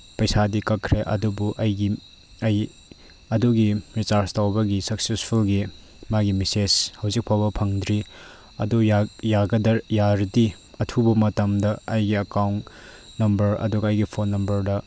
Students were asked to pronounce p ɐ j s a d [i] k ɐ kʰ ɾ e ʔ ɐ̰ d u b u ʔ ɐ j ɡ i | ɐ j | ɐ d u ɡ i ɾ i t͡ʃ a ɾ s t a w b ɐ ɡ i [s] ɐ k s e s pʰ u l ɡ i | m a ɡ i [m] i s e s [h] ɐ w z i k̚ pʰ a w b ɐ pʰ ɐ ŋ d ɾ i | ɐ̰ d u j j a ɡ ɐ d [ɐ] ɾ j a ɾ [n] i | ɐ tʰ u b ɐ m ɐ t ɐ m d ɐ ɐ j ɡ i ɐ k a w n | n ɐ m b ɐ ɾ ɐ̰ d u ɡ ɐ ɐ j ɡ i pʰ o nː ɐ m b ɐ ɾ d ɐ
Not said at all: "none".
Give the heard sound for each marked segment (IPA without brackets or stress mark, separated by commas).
i, s, m, h, ɐ, d